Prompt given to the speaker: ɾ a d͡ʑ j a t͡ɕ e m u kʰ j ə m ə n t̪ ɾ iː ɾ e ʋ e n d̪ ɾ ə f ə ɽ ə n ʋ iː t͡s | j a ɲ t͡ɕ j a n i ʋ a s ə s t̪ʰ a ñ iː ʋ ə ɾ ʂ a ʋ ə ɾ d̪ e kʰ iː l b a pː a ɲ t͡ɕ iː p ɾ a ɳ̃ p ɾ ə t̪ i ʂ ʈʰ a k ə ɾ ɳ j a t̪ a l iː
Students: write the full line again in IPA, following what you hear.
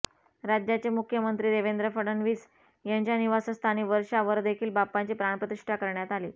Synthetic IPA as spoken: ɾ a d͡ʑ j a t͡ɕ e m u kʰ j ə m ə n t̪ ɾ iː ɾ e ʋ e n d̪ ɾ ə f ə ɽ ə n ʋ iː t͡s | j a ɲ t͡ɕ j a n i ʋ a s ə s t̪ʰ a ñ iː ʋ ə ɾ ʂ a ʋ ə ɾ d̪ e kʰ iː l b a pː a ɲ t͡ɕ iː p ɾ a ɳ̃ p ɾ ə t̪ i ʂ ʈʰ a k ə ɾ ɳ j a t̪ a l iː